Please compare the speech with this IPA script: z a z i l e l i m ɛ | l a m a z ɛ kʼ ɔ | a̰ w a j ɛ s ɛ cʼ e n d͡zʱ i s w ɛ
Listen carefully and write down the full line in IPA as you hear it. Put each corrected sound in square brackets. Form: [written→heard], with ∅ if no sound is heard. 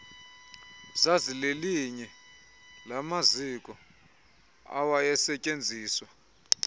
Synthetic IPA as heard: z a z i l e l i [m→ɲ] ɛ | l a m a z [ɛ→i] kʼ ɔ | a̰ w a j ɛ s ɛ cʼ e n d͡zʱ [i→iː] s w [ɛ→a]